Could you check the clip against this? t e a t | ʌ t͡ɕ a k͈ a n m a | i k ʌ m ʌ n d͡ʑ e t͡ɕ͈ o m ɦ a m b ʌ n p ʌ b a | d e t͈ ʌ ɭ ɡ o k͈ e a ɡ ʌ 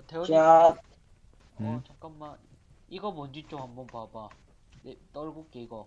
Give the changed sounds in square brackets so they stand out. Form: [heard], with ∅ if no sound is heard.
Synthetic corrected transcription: t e a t | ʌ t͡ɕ a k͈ a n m a | i [ɡ] ʌ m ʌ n d͡ʑ [i] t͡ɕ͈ o m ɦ a m b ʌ n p [a] b a | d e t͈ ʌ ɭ ɡ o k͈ e [i] ɡ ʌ